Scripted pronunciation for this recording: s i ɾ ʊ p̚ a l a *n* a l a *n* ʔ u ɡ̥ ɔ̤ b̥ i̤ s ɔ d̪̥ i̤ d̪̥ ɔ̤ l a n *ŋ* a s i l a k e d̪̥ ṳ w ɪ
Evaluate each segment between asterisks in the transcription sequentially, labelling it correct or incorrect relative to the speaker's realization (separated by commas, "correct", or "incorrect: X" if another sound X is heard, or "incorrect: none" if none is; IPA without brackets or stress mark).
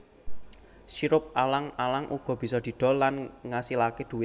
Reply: incorrect: ŋ, incorrect: ŋ, correct